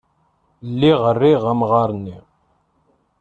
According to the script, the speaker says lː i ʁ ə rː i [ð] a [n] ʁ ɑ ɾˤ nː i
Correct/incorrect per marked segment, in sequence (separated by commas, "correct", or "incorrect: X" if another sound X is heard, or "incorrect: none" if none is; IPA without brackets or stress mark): incorrect: ʁ, incorrect: m